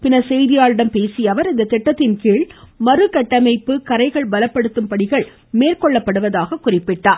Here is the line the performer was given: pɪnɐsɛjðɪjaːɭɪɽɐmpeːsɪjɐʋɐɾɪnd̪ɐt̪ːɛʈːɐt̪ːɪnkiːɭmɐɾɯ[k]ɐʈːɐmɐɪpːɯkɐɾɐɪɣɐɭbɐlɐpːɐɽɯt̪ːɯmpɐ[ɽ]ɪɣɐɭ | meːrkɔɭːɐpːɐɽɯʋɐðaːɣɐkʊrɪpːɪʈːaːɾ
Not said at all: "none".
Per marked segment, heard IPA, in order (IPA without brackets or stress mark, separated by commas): k, ɽ